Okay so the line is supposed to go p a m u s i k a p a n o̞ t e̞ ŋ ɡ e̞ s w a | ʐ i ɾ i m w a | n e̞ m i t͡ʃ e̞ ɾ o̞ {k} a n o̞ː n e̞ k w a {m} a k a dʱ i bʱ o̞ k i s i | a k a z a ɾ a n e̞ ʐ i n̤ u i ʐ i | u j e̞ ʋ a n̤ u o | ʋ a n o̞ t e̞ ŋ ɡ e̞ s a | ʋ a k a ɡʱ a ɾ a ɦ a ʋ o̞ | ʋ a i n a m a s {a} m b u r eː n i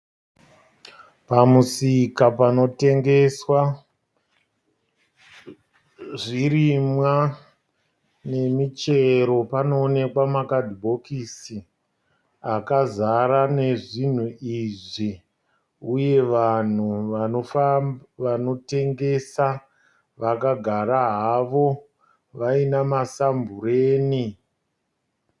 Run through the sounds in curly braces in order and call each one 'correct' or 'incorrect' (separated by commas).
incorrect, correct, correct